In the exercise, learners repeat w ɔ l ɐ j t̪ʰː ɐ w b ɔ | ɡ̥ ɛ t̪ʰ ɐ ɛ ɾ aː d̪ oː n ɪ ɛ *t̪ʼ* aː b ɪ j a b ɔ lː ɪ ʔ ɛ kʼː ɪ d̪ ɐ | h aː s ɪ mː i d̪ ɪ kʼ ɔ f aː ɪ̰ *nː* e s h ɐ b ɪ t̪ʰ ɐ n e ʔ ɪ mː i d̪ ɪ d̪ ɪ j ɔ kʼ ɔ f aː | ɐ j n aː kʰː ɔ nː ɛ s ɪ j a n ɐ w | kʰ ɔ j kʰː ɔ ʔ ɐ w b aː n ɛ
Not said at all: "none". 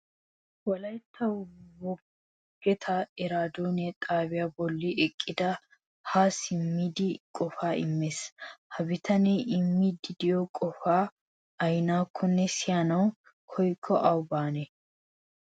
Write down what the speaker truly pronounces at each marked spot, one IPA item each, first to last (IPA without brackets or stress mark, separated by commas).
t̪ʼ, mː